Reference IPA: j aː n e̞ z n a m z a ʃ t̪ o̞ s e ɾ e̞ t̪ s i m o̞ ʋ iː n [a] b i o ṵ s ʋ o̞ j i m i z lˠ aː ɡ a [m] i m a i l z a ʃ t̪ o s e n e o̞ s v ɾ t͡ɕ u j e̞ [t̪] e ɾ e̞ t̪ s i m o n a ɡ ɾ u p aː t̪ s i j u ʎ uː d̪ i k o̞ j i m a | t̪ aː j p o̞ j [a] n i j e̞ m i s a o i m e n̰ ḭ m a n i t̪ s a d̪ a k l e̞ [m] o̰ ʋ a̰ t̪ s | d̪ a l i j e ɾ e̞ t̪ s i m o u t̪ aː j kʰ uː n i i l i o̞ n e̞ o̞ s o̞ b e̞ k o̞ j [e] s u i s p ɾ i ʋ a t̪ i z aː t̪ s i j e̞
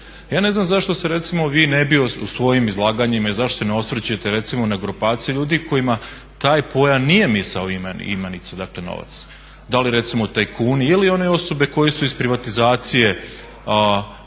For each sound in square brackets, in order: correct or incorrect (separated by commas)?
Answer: incorrect, incorrect, correct, correct, incorrect, correct